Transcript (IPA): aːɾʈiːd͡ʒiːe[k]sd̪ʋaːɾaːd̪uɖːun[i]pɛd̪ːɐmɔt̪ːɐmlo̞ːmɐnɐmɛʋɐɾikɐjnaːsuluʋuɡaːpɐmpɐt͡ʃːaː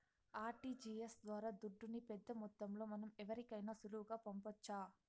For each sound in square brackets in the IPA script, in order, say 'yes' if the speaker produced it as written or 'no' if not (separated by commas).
no, yes